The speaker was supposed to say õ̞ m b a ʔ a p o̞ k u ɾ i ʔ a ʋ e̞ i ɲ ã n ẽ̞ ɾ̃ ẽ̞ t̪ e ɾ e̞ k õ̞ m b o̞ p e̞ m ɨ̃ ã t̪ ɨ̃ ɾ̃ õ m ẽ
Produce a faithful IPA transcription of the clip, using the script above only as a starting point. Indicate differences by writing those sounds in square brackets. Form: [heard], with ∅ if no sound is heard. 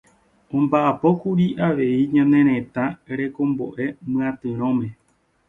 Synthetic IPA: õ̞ m b a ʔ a p o̞ k u ɾ i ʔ a ʋ e̞ i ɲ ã n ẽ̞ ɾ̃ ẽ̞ t̪ [a] ɾ e̞ k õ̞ m b o̞ [ʔ] e̞ m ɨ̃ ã t̪ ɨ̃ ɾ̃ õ m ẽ